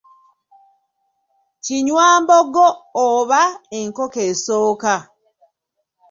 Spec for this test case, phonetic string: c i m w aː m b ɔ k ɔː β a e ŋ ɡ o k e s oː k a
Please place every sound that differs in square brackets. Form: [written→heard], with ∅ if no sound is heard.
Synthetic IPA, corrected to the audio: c i [m→ɲ] w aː m b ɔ [k→ɡ] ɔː β a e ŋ [ɡ→k] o k e s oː k a